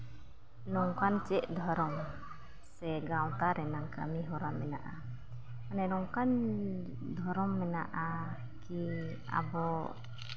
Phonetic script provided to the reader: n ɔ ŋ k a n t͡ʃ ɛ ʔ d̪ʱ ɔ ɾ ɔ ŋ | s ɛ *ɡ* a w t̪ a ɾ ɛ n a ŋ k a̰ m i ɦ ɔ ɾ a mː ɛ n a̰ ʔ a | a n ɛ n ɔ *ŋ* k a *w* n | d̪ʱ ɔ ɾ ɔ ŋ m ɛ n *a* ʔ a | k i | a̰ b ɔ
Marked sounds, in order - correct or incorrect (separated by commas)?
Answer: correct, correct, incorrect, correct